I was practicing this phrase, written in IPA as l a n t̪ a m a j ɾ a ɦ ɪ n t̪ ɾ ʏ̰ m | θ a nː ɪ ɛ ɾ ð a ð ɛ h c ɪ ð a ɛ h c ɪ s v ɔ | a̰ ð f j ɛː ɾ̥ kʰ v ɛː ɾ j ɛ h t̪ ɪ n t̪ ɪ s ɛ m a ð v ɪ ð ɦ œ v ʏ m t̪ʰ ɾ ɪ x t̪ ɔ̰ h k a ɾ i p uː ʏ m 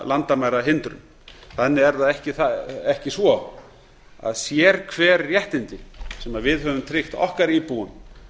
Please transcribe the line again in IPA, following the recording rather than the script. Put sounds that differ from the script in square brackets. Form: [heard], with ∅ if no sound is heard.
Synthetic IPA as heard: l a n t̪ a m a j ɾ a ɦ ɪ n t̪ ɾ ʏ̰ m | θ a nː ɪ ɛ ɾ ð a ð ɛ h c ɪ [θ] a ɛ h c ɪ s v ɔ | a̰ ð [s] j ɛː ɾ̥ kʰ v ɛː ɾ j ɛ h t̪ ɪ n t̪ ɪ s ɛ m a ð v ɪ ð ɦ œ v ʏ m t̪ʰ ɾ ɪ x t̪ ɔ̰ h k a ɾ i p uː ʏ m